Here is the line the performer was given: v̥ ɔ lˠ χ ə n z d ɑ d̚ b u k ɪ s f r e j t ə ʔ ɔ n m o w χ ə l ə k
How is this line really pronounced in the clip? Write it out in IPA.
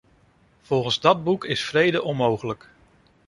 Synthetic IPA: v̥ ɔ lˠ χ ə n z d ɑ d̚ b u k ɪ s f r e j d ə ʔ ɔ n m o w χ ə l ə k